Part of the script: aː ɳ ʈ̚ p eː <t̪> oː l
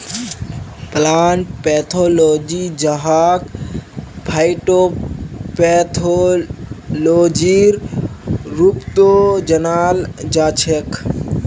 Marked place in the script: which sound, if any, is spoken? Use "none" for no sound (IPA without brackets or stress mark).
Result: t̪ʰ